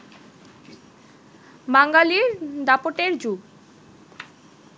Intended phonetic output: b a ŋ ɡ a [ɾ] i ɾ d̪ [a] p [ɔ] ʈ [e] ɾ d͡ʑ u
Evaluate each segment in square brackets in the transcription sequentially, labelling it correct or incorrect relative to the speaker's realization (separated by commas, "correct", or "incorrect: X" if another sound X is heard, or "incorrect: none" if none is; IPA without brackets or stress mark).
incorrect: l, correct, incorrect: o, correct